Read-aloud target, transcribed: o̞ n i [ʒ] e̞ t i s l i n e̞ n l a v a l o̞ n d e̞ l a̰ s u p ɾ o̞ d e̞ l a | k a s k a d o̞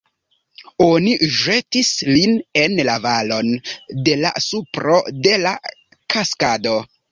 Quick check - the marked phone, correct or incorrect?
correct